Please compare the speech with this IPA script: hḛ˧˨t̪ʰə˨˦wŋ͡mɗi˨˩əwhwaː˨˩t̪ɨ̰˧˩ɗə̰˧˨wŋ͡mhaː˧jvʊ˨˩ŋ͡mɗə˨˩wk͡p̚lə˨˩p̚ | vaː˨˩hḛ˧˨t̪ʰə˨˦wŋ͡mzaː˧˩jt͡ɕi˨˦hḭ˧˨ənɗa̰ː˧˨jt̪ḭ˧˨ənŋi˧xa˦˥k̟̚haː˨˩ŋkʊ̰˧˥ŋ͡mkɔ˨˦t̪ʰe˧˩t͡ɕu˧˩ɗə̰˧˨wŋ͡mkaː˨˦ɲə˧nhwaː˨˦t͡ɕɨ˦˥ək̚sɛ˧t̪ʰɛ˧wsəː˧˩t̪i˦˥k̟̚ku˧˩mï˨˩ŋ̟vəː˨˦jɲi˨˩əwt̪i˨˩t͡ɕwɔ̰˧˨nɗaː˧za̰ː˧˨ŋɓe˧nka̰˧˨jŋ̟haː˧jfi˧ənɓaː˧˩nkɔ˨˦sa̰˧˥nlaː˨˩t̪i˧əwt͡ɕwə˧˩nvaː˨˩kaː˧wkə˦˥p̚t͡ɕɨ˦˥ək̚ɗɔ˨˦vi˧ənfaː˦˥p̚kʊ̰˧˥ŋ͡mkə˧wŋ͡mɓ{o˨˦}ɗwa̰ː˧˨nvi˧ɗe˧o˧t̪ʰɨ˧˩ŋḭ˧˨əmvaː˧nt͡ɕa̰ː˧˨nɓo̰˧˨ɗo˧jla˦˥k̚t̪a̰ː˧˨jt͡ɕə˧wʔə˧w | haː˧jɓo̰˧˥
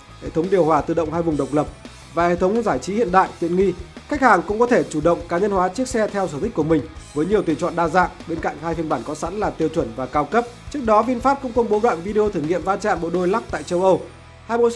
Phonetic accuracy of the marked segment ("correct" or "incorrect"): correct